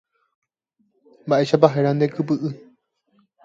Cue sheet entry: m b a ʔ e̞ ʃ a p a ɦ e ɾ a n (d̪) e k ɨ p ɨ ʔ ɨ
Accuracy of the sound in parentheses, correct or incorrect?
correct